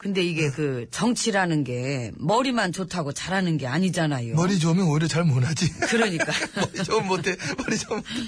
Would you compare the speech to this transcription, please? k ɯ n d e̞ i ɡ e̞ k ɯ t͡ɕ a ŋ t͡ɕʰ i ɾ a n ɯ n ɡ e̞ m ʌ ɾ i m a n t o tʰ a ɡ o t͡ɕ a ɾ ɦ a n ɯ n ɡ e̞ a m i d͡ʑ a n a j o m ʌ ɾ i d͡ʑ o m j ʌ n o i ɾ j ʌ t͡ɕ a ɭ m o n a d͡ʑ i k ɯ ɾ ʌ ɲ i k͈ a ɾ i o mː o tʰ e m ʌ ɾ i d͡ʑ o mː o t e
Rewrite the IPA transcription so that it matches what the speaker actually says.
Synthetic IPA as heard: k ɯ n d e̞ i ɡ e̞ k ɯ t͡ɕ ʌ ŋ t͡ɕʰ i ɾ a n ɯ n ɡ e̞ m ʌ ɾ i m a n t͡ɕ o tʰ a ɡ o t͡ɕ a ɾ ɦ a n ɯ n ɡ e̞ a ɲ i d͡ʑ a n a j o m ʌ ɾ i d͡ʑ o m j ʌ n o i ɾ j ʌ t͡ɕ a ɭ m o n a d͡ʑ i k ɯ ɾ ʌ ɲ i k͈ a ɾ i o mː o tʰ e m ʌ ɾ i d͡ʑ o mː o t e